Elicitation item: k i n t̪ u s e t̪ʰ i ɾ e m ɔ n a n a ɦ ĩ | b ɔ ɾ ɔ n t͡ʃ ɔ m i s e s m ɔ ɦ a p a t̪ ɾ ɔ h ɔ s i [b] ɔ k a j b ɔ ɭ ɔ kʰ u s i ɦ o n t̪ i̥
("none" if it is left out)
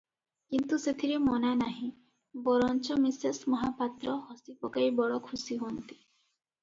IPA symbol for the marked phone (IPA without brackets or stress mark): p